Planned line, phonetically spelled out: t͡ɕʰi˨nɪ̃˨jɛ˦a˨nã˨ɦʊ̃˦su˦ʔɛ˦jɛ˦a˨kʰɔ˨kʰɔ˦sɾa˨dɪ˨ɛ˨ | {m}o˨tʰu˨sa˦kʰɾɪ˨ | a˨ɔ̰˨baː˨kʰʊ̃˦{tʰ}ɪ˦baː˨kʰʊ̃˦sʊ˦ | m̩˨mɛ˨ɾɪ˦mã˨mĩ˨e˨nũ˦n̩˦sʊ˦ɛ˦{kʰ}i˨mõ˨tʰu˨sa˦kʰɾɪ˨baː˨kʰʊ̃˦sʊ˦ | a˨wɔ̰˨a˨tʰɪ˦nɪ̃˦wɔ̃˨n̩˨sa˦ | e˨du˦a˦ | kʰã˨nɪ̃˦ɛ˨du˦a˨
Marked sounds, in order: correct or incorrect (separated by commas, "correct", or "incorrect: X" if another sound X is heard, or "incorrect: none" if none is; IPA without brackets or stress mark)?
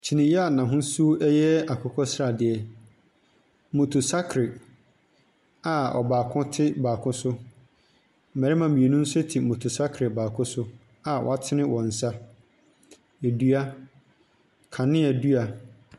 correct, correct, incorrect: tʰ